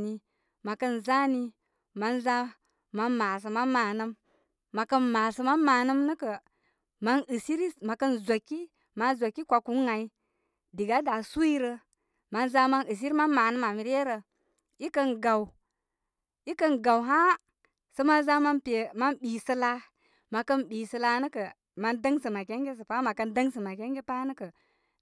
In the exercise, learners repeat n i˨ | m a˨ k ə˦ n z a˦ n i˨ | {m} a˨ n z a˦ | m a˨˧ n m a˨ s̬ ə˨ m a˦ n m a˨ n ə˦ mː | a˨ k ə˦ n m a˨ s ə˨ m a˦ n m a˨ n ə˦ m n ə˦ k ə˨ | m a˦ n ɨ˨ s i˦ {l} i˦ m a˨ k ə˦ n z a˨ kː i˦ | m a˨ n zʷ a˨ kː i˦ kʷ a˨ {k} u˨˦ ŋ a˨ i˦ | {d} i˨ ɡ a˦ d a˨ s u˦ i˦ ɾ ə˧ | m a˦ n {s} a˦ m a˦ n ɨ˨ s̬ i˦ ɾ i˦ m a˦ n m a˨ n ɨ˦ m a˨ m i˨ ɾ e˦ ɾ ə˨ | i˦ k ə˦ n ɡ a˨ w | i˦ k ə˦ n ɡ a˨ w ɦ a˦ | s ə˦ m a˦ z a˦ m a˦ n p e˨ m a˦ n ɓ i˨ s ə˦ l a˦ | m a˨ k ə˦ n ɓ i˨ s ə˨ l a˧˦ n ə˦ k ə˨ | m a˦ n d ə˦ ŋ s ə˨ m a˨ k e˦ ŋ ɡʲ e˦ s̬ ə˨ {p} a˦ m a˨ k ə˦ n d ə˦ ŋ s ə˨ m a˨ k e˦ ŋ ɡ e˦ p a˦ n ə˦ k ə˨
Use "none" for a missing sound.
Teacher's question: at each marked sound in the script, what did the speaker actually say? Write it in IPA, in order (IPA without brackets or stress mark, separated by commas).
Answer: m, ɾ, k, d, z, p